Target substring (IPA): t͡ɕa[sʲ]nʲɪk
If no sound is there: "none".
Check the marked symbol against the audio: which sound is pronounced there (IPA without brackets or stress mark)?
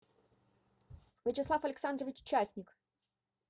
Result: sʲ